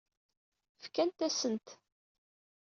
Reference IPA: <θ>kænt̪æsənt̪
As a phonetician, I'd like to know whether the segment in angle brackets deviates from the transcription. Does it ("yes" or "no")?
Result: yes